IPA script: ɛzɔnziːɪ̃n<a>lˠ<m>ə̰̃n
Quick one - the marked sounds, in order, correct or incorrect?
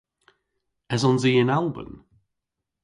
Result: correct, incorrect: b

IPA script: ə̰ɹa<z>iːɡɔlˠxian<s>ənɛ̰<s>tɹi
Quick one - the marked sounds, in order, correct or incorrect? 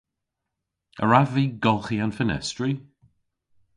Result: incorrect: v, incorrect: f, correct

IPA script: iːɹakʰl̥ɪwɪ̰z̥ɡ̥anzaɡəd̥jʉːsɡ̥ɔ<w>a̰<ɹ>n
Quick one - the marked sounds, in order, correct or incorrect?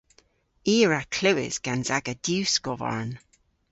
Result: incorrect: v, correct

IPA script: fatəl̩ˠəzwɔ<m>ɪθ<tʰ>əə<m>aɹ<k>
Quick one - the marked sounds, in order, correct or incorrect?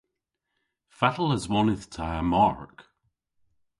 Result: incorrect: n, correct, correct, correct

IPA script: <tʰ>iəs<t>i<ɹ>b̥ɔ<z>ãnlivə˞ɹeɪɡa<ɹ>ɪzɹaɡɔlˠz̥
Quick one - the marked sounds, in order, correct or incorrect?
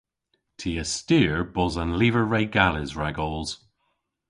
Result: correct, correct, correct, correct, incorrect: l

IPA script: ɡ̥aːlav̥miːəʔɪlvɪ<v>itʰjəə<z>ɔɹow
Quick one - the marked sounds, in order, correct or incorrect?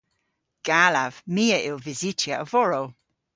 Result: incorrect: z, incorrect: v

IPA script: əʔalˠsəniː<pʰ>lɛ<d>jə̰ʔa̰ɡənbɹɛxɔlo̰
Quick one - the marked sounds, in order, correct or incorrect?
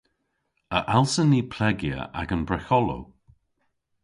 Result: correct, incorrect: ɡ

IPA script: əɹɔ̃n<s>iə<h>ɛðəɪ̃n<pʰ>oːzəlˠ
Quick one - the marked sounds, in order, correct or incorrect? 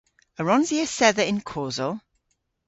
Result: incorrect: z, incorrect: s, incorrect: kʰ

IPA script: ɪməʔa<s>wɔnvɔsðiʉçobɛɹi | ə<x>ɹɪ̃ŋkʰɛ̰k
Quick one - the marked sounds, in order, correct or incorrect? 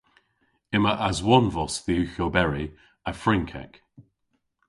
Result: incorrect: z, incorrect: f

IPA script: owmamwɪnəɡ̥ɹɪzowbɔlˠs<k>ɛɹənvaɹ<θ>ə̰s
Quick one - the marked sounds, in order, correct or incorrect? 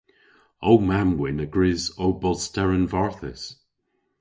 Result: incorrect: t, correct

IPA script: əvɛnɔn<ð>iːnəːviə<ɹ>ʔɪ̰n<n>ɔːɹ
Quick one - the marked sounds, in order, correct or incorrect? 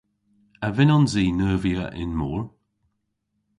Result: incorrect: z, incorrect: none, incorrect: m

